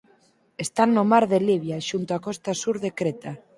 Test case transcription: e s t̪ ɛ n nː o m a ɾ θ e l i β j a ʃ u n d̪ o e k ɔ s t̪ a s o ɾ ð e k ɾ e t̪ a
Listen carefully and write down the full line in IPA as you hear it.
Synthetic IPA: e s t̪ a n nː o m a ɾ ð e l i β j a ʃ u n t̪ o a k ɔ s t̪ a s u ɾ ð e k ɾ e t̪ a